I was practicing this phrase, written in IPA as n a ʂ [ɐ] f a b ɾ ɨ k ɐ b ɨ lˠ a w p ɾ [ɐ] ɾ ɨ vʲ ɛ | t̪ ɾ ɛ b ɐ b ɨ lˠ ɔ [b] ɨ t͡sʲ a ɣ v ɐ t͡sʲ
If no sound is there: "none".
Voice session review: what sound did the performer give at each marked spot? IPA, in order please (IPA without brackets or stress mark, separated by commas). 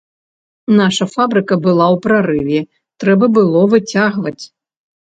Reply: ɐ, a, v